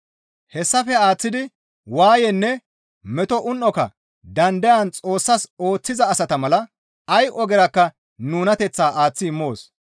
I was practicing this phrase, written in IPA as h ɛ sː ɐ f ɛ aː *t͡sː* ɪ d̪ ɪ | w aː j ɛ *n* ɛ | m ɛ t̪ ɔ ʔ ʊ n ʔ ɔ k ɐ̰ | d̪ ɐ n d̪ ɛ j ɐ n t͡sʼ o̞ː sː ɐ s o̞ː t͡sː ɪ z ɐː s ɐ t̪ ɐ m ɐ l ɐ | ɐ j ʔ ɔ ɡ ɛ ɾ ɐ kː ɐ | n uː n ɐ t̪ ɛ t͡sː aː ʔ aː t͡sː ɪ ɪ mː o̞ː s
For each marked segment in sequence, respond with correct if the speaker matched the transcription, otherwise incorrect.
correct, incorrect

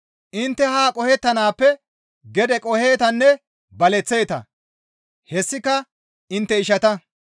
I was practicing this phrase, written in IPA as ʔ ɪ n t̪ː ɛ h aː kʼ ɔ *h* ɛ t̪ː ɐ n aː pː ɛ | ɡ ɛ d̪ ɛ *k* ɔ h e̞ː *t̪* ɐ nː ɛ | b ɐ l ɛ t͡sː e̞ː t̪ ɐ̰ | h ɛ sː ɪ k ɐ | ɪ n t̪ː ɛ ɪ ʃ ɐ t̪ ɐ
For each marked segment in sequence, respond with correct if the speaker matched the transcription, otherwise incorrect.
correct, incorrect, correct

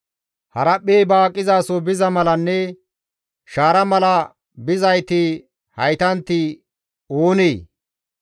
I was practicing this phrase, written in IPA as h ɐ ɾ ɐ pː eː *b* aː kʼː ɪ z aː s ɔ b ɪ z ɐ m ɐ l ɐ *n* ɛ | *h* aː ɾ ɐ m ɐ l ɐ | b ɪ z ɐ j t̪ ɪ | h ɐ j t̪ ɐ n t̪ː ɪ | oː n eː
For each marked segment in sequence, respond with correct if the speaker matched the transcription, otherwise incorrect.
correct, incorrect, incorrect

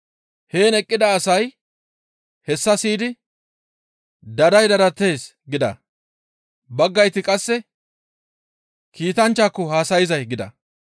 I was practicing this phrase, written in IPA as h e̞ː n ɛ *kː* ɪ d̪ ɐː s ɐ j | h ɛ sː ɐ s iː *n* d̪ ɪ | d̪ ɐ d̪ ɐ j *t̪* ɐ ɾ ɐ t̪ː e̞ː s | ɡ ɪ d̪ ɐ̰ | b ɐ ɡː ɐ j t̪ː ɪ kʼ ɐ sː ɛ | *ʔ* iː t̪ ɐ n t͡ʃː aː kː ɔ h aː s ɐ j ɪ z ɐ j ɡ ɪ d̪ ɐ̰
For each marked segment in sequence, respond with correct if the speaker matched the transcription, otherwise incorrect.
incorrect, incorrect, incorrect, incorrect

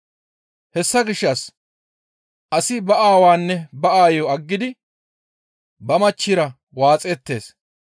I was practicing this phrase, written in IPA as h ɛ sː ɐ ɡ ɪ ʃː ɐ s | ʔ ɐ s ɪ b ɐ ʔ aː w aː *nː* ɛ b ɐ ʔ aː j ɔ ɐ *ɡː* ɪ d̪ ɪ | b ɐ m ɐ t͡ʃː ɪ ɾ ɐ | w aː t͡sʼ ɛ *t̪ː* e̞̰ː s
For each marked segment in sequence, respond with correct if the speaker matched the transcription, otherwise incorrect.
correct, correct, correct

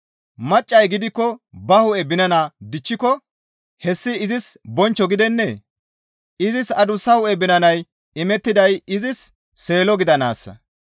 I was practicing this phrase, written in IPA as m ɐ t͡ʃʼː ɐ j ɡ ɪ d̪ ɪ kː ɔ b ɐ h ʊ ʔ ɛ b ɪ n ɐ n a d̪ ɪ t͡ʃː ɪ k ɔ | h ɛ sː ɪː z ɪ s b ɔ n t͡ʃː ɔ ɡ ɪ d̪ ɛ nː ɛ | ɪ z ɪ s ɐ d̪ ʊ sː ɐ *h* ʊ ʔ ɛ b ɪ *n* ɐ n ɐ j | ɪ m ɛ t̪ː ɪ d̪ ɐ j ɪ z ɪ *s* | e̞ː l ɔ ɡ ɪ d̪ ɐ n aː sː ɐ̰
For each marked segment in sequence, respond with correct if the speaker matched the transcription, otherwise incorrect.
correct, correct, incorrect

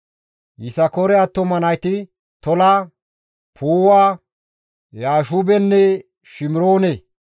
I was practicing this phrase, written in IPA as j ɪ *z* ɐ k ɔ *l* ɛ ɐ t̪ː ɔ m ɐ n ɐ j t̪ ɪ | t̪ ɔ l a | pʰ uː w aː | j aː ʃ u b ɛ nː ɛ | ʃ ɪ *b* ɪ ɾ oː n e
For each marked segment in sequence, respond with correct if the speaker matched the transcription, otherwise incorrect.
incorrect, incorrect, incorrect

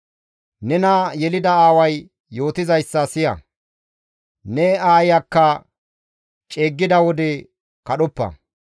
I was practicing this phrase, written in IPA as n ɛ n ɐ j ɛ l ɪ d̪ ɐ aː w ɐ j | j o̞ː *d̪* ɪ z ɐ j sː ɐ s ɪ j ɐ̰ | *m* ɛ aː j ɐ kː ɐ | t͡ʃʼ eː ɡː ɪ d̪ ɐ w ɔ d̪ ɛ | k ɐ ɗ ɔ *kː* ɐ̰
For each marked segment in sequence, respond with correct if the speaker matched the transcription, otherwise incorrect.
incorrect, incorrect, incorrect

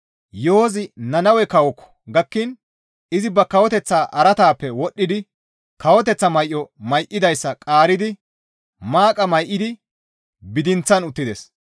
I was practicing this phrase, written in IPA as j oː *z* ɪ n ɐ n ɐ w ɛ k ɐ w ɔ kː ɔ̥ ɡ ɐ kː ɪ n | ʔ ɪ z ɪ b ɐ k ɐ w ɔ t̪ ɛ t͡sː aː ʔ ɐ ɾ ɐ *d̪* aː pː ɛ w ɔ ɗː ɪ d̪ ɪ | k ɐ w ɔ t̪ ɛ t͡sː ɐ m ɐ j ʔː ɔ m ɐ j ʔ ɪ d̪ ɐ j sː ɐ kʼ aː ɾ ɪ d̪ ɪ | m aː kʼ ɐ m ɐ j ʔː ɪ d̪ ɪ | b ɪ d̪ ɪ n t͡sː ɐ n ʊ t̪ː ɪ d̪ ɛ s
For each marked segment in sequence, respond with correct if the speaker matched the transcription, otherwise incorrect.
correct, incorrect

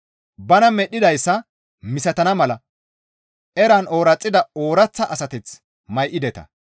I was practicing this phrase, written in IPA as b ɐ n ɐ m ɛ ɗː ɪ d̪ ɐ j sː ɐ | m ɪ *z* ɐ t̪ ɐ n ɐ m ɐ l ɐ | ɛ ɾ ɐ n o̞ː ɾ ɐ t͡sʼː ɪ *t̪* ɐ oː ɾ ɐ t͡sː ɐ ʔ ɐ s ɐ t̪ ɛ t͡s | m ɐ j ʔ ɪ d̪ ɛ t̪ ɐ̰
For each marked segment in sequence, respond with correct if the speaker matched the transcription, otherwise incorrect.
incorrect, incorrect

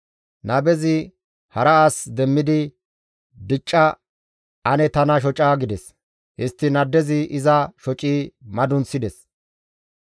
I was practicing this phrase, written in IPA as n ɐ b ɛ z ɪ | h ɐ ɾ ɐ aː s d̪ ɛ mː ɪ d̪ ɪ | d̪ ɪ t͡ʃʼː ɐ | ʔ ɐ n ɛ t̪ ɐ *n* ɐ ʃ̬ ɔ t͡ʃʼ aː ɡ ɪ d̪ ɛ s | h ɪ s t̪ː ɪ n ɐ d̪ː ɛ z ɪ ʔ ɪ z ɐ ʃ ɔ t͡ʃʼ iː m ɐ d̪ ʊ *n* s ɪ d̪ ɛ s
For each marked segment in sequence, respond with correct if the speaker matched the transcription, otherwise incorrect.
correct, correct

